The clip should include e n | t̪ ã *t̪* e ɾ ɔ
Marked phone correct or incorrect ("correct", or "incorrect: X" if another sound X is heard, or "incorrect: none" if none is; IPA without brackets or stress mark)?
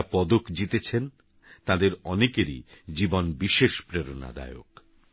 incorrect: d̪